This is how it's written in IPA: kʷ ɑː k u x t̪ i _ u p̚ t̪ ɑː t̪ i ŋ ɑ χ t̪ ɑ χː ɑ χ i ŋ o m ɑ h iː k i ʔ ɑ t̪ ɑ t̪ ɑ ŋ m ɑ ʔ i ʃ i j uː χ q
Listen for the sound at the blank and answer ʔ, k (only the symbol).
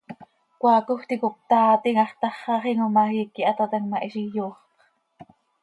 k